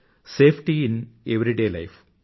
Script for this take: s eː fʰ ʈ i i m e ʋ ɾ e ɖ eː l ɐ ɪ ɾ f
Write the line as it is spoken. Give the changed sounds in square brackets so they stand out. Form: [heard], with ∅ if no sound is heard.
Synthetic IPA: s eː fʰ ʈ i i [n] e ʋ ɾ [i] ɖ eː l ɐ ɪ [∅] f